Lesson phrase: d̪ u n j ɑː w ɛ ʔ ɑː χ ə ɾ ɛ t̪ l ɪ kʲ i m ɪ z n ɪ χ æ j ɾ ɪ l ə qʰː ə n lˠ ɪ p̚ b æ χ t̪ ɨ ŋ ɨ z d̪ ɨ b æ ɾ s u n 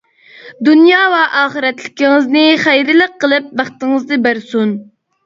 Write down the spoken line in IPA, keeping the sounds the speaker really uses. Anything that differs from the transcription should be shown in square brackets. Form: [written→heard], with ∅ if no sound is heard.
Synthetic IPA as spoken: d̪ u n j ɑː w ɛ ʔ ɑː χ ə ɾ ɛ t̪ l ɪ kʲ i [m→ŋ] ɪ z n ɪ χ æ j ɾ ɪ l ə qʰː ə [n→∅] lˠ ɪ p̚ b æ χ t̪ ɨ ŋ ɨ z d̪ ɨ b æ ɾ s u n